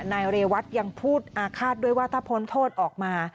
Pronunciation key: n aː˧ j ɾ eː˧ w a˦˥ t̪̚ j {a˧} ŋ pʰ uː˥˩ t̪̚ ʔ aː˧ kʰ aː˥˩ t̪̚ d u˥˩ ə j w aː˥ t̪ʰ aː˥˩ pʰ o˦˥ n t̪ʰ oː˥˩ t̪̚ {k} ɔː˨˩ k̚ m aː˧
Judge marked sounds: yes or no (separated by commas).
yes, no